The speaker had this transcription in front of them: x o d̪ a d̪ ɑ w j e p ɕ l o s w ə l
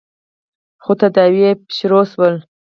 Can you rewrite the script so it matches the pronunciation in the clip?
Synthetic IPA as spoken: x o t̪ a d̪ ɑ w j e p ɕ ɾ o s w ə l